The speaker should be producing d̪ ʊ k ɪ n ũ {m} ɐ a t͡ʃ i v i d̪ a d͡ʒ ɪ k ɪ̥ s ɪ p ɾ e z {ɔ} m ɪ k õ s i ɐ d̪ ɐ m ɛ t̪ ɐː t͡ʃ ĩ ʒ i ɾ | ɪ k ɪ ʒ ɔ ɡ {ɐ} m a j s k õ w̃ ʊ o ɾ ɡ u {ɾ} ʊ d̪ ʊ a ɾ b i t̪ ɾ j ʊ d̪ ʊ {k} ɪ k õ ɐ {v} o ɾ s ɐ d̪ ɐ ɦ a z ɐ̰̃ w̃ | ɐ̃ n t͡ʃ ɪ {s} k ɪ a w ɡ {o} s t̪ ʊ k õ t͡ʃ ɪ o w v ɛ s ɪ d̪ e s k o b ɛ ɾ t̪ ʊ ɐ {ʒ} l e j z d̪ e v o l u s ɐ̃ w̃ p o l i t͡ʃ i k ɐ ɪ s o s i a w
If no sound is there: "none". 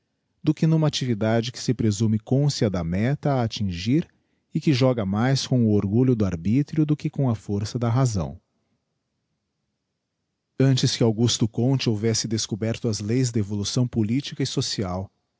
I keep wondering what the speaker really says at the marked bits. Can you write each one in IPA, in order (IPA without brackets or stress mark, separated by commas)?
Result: m, u, ɐ, ʎ, k, f, s, u, z